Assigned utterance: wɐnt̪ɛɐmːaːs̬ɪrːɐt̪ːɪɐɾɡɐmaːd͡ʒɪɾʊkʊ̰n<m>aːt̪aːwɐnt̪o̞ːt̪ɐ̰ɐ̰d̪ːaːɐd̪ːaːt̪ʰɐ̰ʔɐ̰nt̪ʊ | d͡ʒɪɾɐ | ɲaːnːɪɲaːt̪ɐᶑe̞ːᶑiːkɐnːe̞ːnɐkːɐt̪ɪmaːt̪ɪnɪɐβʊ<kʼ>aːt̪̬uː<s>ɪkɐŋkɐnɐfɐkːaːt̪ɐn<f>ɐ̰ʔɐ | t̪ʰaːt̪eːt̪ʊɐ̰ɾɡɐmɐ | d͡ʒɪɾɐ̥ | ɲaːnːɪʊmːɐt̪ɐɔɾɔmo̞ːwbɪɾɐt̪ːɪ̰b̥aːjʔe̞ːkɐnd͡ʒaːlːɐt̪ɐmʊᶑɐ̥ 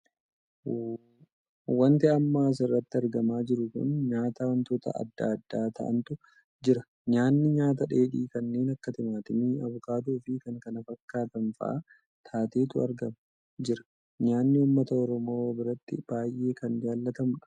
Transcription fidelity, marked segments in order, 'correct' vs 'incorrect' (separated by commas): incorrect, incorrect, incorrect, correct